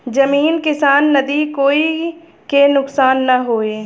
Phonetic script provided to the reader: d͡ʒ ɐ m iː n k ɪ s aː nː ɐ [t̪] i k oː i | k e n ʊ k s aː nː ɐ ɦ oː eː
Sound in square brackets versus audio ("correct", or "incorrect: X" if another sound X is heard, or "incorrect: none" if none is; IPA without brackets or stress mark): incorrect: d̪